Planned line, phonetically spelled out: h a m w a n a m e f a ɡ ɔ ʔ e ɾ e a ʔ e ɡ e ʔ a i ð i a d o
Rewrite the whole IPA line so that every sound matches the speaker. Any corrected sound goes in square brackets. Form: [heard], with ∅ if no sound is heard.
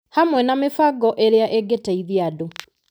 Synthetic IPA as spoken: h a m w [ɛ] n a m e f a ɡ ɔ ʔ e ɾ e a ʔ e ɡ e [t] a i ð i a d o